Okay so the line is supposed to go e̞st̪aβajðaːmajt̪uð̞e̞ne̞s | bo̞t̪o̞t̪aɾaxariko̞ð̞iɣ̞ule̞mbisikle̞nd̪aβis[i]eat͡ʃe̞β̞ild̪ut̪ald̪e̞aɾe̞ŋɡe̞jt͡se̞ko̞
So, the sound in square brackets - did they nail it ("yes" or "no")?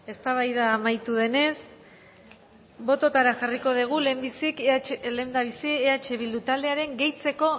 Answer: yes